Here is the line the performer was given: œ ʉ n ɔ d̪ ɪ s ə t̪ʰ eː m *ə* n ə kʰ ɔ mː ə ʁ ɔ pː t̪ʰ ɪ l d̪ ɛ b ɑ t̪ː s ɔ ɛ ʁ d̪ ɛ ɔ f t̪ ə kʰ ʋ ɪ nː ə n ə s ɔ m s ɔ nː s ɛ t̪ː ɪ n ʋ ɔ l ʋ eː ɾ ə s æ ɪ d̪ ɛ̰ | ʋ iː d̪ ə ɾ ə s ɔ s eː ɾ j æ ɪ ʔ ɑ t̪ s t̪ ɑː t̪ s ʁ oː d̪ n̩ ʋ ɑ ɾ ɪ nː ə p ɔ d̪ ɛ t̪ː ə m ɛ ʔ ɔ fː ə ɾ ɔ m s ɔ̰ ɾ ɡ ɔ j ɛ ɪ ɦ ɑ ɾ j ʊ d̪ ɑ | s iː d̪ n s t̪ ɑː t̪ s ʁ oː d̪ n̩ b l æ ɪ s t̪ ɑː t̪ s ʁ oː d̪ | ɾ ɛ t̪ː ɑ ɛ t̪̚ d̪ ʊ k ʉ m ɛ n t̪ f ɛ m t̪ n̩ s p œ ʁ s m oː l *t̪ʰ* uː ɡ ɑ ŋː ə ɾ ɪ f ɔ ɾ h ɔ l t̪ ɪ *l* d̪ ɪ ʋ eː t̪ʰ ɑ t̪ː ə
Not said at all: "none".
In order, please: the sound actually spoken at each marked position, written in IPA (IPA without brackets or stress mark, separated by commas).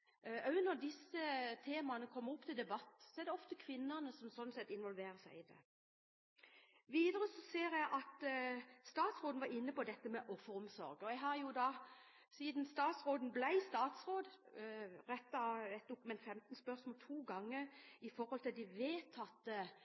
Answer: ɑ, t̪ʰ, l